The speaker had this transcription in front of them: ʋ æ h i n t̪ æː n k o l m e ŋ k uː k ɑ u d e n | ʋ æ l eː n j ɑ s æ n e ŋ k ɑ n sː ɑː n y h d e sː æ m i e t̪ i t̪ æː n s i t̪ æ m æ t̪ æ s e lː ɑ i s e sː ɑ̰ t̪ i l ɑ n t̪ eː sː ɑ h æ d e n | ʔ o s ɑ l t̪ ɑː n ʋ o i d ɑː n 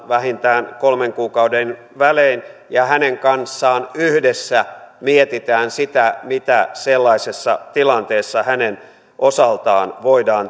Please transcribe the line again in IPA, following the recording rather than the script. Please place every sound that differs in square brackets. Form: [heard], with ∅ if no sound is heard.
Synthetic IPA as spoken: ʋ æ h i n t̪ æː n k o l m e ŋ k uː k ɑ u d e n | ʋ æ l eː n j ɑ [h] æ n e ŋ k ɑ n sː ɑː n y h d e sː æ m i e t̪ i t̪ æː n s i t̪ æ m [i] t̪ æ s e lː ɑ i s e sː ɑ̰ t̪ i l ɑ n t̪ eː sː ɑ h æ [n] e n | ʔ o s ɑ l t̪ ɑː n ʋ o i d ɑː n